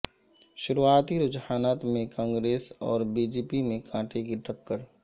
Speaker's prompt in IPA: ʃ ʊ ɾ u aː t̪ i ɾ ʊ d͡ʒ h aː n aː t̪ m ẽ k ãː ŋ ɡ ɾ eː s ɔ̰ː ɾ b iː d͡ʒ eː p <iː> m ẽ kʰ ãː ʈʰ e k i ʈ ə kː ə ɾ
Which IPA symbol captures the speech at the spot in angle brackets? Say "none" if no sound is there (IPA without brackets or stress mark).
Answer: i